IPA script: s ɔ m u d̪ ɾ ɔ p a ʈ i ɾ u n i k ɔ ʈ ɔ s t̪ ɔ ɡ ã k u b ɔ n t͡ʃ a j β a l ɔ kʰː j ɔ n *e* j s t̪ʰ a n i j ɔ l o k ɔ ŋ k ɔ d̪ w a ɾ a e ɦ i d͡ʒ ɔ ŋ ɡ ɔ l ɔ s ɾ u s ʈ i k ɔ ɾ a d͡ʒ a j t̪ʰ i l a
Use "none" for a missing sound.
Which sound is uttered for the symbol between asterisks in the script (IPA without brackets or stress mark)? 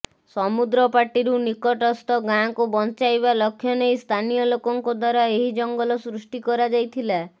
e